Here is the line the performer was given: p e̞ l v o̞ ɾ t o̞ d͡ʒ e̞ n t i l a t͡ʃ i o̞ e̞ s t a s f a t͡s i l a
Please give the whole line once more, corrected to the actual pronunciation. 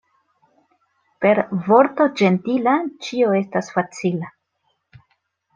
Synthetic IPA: p e̞ ɾ v o̞ ɾ t o̞ d͡ʒ e̞ n t i l a t͡ʃ i o̞ e̞ s t a s f a t͡s i l a